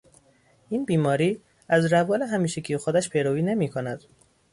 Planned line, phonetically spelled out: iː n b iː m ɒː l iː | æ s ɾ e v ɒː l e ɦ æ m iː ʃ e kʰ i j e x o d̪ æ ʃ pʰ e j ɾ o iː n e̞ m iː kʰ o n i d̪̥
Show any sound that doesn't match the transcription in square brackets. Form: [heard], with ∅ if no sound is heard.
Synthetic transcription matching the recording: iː n b iː m ɒː [ɾ] iː | æ [z] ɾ [æ] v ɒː l e ɦ æ m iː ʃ e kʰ i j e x o d̪ æ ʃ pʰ e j ɾ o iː n e̞ m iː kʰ o n [æ] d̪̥